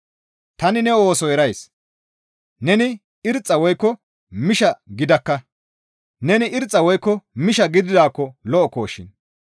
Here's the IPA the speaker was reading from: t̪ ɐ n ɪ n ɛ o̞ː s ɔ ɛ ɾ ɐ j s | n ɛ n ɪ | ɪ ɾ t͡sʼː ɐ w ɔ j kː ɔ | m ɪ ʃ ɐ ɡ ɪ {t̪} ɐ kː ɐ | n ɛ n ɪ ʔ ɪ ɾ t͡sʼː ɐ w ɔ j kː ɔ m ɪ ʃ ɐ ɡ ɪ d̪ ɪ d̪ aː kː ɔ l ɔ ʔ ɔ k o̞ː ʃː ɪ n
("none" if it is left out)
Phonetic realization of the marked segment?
d̪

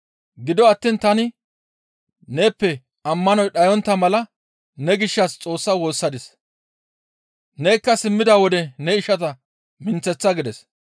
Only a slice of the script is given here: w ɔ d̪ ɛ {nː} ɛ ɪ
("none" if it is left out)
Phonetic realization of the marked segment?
n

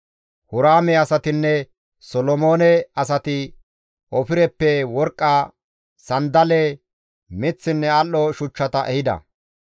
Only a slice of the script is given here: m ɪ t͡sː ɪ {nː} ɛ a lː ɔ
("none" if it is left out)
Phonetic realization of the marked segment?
nː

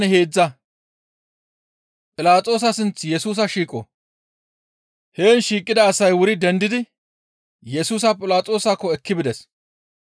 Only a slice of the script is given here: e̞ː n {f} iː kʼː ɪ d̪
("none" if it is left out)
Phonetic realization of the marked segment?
ʃ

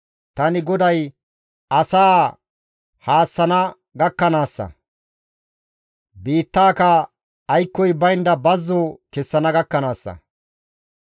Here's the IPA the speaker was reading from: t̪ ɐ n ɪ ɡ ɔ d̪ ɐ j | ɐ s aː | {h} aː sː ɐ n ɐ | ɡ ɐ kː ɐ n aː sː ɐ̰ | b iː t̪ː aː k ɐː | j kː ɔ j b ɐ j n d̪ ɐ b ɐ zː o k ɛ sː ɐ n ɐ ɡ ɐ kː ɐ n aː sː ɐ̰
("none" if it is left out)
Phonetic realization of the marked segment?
h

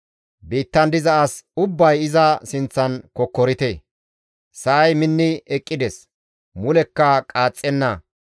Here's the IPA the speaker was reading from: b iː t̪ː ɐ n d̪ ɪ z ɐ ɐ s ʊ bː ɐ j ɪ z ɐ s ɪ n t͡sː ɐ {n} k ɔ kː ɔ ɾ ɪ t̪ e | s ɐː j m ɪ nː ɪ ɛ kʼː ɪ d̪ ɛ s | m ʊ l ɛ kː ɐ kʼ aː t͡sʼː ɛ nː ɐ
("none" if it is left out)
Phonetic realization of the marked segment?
n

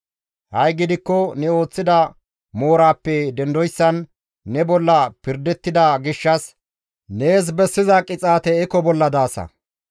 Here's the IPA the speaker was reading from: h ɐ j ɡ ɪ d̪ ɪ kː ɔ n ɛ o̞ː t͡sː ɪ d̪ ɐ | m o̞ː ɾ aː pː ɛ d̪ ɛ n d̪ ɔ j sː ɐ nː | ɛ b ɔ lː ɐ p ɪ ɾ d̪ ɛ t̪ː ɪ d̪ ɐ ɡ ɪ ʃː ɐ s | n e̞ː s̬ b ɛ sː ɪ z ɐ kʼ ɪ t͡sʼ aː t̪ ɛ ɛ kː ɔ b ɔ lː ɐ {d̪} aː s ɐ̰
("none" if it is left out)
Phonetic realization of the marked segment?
d̪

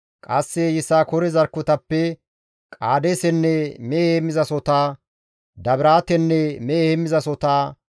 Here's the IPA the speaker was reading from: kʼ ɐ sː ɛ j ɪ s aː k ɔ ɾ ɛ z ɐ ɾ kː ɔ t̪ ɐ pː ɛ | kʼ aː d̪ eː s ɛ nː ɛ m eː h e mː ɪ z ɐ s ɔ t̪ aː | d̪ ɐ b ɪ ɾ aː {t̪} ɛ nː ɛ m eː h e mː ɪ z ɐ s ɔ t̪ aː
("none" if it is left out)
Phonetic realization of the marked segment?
t̪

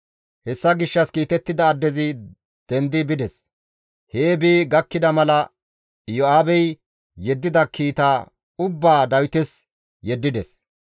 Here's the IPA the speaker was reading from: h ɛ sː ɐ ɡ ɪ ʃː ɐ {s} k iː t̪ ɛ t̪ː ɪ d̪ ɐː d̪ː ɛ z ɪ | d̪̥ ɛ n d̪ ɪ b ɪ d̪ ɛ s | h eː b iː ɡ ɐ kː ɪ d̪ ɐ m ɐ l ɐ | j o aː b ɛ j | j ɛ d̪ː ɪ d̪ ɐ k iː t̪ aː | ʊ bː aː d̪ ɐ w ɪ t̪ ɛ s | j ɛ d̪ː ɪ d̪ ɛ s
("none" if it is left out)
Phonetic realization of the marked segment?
s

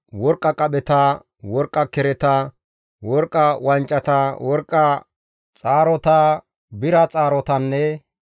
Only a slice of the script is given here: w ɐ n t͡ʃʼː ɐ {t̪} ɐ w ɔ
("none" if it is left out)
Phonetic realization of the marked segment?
t̪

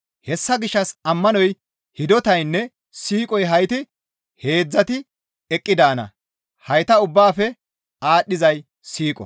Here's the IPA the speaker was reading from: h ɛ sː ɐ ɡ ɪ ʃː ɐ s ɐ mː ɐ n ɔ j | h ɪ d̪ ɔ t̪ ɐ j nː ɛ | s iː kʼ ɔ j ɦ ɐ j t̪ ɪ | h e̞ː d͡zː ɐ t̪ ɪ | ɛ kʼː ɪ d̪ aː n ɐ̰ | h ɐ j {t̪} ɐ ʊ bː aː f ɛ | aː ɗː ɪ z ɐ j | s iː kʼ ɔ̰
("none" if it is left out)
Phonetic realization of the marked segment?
t̪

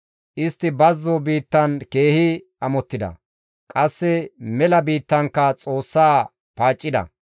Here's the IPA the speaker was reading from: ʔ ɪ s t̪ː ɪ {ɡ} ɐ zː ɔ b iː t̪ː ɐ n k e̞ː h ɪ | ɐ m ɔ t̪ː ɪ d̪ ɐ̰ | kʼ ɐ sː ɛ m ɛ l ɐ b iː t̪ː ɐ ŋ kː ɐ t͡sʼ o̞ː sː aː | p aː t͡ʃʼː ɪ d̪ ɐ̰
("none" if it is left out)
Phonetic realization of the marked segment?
b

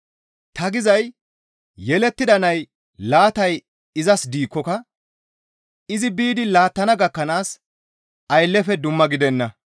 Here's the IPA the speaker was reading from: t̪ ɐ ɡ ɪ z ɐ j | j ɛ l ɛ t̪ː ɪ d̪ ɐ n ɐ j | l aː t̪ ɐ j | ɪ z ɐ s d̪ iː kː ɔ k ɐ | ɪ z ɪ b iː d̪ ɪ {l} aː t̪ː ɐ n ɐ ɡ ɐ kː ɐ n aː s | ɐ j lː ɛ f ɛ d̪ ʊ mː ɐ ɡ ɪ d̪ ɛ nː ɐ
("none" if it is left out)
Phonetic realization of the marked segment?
l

